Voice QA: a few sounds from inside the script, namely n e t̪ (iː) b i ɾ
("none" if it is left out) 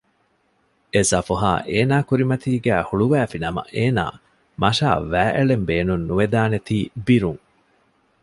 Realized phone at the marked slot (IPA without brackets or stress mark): iː